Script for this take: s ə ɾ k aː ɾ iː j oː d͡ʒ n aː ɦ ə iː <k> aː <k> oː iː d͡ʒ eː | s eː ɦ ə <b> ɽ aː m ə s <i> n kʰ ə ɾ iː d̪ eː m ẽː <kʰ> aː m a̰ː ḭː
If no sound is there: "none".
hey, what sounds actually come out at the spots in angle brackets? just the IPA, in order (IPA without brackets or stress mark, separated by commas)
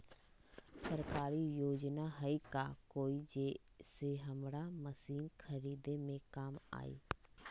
k, k, m, iː, k